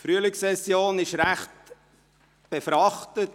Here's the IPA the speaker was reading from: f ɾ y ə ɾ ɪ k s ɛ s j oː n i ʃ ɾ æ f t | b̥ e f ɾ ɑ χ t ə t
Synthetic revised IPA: f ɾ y ə l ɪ k s ɛ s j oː n ɪ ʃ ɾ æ χ t | b̥ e f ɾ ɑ χ t ə t